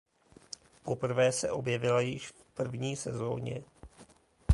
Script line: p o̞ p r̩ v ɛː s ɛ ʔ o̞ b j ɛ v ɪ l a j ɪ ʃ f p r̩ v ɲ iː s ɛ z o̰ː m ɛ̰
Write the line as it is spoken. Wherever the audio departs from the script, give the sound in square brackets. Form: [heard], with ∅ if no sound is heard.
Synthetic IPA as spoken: p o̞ p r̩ v ɛː s ɛ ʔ o̞ b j ɛ v ɪ l a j ɪ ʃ f p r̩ v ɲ iː s ɛ z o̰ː [ɲ] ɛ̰

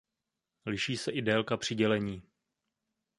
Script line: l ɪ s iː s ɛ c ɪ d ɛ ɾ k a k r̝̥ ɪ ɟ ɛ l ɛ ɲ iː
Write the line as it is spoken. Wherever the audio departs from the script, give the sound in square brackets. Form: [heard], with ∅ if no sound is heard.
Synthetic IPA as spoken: l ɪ [ʃ] iː s ɛ [ʔ] ɪ d ɛ [l] k a [p] r̝̥ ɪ ɟ ɛ l ɛ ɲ iː

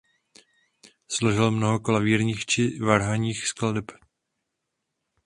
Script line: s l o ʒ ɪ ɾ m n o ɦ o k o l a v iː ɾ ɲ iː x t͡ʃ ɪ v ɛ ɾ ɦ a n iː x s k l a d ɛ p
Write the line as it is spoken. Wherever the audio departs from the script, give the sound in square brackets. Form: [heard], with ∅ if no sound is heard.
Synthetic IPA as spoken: s l o ʒ ɪ [l] m n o ɦ o k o l a v iː ɾ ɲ iː x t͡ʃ ɪ v [a] ɾ ɦ a [ɲ] iː x s k l a d ɛ p

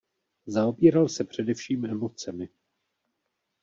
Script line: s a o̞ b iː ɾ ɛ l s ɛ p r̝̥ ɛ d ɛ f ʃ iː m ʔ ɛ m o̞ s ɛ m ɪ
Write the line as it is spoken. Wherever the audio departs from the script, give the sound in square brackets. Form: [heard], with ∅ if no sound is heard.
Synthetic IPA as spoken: [z] a o̞ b iː ɾ [a] l s ɛ p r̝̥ ɛ d ɛ f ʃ iː m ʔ ɛ m o̞ [t͡s] ɛ m ɪ

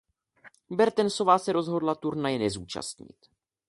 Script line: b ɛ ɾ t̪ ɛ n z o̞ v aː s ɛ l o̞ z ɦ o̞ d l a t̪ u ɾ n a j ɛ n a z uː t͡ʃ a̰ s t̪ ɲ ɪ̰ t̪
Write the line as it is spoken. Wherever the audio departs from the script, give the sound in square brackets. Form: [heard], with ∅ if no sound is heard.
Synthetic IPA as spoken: b ɛ ɾ t̪ ɛ n [s] o̞ v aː s ɛ [ɾ] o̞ z ɦ o̞ d l a t̪ u ɾ n a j ɛ n [ɛ] z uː t͡ʃ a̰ s t̪ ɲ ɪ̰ t̪

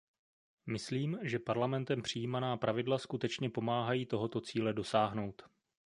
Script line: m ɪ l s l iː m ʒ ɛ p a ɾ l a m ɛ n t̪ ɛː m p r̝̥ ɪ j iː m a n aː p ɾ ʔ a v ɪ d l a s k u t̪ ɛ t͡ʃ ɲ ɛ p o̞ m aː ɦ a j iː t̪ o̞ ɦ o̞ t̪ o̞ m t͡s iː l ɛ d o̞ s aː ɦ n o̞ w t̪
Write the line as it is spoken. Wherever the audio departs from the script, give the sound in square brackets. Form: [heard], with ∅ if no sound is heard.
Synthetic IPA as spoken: m ɪ [∅] s l iː m ʒ ɛ p a ɾ l a m ɛ n t̪ [ɛ] m p r̝̥ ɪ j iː m a n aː p ɾ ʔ a v ɪ d l a s k u t̪ ɛ t͡ʃ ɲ ɛ p o̞ m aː ɦ a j iː t̪ o̞ ɦ o̞ t̪ o̞ [∅] t͡s iː l ɛ d o̞ s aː ɦ n o̞ w t̪

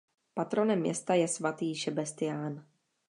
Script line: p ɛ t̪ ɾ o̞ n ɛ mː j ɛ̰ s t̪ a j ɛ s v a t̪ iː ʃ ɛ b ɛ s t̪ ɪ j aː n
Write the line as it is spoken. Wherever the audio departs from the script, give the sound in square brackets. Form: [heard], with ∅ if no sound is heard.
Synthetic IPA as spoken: p [a] t̪ ɾ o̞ n ɛ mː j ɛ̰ s t̪ a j ɛ s v a t̪ iː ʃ ɛ b ɛ s t̪ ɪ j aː n

